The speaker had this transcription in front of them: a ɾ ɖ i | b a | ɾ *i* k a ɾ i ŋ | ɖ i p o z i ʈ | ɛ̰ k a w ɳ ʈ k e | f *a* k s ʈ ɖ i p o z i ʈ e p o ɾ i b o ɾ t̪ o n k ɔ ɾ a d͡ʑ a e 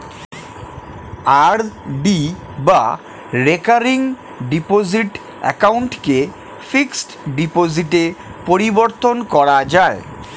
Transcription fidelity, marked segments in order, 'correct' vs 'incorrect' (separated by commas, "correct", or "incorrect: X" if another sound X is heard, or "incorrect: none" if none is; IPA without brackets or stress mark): incorrect: e, incorrect: i